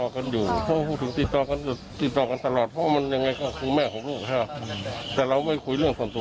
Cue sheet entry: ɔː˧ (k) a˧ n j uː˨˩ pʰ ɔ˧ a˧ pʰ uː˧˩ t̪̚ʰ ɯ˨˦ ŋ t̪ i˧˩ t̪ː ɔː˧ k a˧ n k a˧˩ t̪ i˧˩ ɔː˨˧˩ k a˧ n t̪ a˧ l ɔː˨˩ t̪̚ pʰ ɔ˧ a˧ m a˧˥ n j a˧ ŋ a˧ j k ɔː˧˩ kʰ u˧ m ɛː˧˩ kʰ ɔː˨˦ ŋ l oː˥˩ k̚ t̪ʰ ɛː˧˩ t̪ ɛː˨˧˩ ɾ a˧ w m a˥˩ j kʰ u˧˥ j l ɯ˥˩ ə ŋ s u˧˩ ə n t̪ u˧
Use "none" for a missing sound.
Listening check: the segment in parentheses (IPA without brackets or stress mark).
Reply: k